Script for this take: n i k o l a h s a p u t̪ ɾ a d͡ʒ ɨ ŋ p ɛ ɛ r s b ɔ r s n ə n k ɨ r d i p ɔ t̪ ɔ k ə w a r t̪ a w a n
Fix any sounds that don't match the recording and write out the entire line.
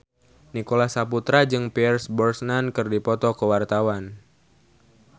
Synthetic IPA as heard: n i k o l a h s a p u t̪ ɾ a d͡ʒ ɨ ŋ p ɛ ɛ r s b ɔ r s n a n k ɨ r d i p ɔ t̪ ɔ k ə w a r t̪ a w a n